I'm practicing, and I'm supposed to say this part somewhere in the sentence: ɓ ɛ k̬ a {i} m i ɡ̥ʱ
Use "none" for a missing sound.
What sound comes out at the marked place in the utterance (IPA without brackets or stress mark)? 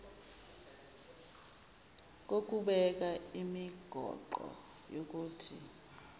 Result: i